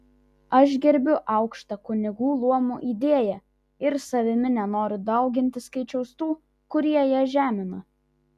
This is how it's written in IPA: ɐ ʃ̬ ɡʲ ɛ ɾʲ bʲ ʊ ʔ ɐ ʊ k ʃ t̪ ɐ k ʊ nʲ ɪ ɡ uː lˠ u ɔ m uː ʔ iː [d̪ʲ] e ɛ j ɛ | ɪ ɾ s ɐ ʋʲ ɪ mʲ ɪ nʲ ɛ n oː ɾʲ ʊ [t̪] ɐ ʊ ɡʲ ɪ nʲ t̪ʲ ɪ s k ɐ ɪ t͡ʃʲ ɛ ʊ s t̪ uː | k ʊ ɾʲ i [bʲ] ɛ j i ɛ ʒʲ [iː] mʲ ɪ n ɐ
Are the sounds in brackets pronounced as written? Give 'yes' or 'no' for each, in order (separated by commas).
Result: yes, no, no, no